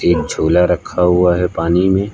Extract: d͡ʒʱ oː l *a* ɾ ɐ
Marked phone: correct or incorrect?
correct